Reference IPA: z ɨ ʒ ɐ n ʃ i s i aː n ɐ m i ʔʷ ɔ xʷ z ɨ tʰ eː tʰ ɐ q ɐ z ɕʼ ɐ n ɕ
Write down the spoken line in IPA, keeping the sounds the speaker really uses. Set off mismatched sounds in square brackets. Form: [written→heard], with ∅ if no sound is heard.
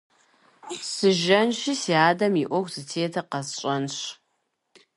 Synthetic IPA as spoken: [z→s] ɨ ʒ ɐ n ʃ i s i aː [n→d] ɐ m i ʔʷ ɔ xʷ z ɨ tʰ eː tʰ ɐ q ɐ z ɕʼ ɐ n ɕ